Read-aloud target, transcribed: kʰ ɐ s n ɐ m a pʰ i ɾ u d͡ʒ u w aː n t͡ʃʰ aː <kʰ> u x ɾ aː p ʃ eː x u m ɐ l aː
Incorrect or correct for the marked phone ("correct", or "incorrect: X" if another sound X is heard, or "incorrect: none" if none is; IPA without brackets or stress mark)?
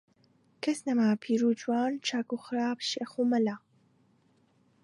incorrect: k